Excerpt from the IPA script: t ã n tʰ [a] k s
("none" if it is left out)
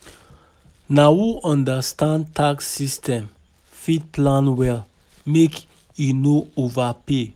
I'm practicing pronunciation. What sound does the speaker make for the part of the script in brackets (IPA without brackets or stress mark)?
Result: a